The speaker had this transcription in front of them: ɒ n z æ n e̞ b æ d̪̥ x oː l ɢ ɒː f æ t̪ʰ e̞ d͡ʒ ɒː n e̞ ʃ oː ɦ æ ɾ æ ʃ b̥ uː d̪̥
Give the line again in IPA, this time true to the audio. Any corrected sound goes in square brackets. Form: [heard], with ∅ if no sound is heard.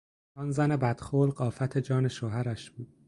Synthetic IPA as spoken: ɒ n z æ n e̞ b æ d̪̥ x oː l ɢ ɒː f æ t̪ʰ e̞ d͡ʒ ɒː n e̞ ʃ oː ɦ æ ɾ æ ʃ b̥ uː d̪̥